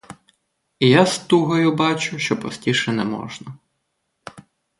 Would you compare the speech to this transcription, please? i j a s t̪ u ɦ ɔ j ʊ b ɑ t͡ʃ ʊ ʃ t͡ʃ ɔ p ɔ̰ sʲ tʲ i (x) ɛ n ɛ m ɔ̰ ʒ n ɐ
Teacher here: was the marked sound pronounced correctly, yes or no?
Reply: no